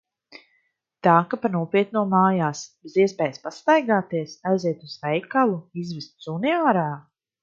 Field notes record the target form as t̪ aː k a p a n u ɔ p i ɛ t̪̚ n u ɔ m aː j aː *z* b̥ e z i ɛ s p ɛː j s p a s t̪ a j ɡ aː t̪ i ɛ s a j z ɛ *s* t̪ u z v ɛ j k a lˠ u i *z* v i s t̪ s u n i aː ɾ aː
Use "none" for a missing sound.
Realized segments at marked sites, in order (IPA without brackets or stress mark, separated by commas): s, none, z